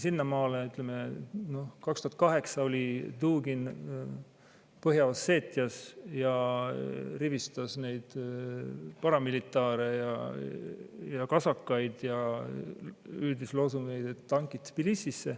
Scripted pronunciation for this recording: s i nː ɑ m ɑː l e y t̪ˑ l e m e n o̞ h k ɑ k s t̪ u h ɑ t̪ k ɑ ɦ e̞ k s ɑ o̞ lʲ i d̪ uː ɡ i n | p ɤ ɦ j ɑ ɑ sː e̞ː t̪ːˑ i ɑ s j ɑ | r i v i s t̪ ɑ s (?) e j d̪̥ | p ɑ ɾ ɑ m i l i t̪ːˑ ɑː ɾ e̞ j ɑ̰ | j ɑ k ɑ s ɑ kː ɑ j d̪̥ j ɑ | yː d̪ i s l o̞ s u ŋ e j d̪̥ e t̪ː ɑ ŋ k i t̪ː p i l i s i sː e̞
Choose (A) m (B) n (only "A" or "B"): B